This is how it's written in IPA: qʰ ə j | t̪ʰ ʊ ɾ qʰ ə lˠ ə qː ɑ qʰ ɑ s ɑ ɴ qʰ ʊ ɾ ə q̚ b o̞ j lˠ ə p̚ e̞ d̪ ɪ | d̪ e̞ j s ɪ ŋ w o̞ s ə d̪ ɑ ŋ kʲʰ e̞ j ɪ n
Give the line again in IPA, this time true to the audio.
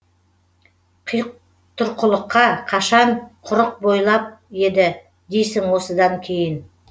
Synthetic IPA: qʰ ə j | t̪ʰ ʊ ɾ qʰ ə lˠ ə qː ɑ qʰ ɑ ʃ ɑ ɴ qʰ ʊ ɾ ə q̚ b o̞ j lˠ ɑ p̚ e̞ d̪ ɪ | d̪ e̞ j s ɪ ŋ w o̞ s ə d̪ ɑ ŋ kʲʰ e̞ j ɪ n